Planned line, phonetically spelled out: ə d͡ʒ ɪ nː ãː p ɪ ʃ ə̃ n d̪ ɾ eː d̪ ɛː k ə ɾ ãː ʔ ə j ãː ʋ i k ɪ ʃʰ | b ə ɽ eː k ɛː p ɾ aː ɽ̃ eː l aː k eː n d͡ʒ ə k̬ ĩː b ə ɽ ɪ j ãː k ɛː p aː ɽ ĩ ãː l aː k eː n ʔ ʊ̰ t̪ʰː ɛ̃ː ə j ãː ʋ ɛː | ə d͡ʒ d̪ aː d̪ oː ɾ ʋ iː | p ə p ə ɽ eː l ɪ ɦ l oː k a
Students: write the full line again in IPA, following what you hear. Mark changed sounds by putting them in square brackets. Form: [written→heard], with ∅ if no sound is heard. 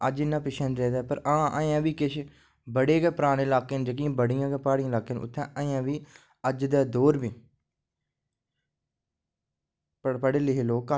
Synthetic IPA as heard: ə d͡ʒ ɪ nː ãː p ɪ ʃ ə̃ n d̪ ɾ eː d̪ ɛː [k→p] ə ɾ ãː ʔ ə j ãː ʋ [i→iː] k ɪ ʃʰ | b ə ɽ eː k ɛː p ɾ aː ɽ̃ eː l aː k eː n d͡ʒ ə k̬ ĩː b ə ɽ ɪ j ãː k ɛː p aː ɽ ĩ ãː l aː k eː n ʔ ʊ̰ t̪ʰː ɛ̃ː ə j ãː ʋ [ɛː→iː] | ə d͡ʒ d̪ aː d̪ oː ɾ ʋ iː | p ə p ə ɽ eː l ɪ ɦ l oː k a